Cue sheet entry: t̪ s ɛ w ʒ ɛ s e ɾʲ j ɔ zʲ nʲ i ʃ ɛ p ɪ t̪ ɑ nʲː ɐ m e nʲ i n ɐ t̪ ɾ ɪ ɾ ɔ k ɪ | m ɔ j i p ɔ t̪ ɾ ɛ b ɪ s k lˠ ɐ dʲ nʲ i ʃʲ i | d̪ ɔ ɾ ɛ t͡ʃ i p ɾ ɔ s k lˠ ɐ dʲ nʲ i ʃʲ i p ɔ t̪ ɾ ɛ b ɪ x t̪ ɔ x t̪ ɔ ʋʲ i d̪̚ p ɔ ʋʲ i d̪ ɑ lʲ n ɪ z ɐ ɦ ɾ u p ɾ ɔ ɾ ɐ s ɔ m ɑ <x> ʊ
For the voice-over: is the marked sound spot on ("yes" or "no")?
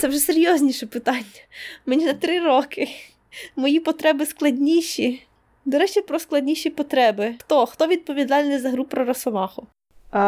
yes